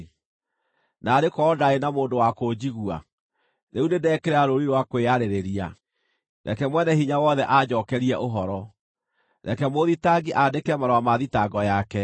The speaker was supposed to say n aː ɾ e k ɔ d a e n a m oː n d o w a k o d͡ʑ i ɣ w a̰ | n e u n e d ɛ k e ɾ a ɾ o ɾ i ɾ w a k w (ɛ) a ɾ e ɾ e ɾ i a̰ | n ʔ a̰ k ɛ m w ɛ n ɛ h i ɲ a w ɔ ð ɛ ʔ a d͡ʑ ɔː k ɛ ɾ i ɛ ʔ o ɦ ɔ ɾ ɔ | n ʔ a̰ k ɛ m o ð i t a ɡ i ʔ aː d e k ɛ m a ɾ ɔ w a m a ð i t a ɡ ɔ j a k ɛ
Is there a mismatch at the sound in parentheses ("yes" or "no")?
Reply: yes